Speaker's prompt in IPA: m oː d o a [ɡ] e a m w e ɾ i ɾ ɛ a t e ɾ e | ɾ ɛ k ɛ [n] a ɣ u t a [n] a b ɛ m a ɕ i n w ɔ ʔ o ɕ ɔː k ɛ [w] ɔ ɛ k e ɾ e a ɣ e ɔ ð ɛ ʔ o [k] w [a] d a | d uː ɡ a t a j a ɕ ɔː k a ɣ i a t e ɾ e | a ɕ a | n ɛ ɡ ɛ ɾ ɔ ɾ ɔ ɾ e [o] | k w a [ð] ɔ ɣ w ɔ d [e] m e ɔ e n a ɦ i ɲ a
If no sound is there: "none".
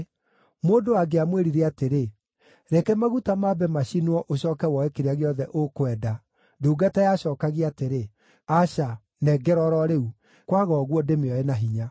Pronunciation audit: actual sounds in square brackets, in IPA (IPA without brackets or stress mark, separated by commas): ɡ, m, m, w, k, ɛ, u, ɣ, e